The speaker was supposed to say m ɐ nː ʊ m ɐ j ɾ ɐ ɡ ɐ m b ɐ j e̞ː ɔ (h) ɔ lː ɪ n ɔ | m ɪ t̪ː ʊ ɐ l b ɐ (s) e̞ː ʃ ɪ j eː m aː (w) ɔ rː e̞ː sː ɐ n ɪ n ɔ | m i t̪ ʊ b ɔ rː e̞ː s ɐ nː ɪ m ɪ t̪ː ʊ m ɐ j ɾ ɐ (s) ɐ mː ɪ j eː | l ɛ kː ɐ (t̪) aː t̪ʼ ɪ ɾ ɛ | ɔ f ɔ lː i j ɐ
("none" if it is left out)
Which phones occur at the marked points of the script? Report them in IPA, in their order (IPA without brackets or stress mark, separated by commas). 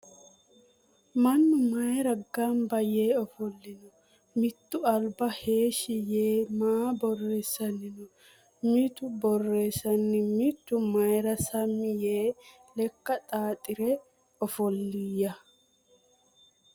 f, h, b, s, t̪ʼ